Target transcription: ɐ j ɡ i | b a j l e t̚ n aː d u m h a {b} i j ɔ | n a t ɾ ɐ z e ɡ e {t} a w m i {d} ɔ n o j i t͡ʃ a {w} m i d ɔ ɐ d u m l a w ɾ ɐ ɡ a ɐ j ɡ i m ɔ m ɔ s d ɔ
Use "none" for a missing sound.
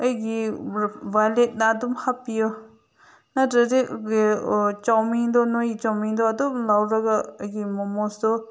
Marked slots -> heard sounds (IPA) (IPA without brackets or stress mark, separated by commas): p, t͡ʃ, d, w